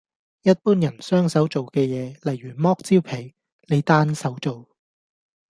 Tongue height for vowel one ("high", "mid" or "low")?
low